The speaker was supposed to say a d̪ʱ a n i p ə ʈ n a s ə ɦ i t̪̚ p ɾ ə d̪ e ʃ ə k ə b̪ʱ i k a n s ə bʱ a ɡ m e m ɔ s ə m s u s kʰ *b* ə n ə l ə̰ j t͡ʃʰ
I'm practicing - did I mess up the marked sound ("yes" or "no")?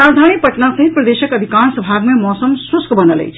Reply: no